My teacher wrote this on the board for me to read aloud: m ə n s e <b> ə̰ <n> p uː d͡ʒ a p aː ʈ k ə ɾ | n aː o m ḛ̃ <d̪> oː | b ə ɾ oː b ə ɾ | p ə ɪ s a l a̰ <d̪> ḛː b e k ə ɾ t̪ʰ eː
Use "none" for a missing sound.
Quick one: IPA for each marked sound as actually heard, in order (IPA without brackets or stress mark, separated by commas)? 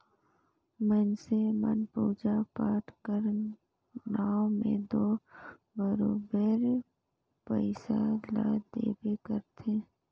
m, n, d̪, d̪